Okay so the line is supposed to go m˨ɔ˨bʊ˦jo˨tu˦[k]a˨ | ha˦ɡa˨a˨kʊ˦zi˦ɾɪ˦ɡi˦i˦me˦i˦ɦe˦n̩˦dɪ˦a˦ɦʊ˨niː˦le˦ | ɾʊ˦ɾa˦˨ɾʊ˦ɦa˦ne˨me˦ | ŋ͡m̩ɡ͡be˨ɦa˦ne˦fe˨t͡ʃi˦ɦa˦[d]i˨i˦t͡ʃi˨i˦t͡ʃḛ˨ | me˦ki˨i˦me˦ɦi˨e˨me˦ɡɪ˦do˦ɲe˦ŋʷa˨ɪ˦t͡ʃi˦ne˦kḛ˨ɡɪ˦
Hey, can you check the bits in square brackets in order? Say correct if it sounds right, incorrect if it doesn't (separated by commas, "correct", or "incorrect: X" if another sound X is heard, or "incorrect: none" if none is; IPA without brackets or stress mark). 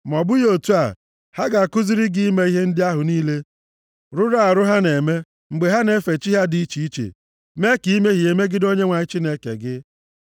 incorrect: none, correct